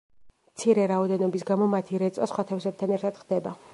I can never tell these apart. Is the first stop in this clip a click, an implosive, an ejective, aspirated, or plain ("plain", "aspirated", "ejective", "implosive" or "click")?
plain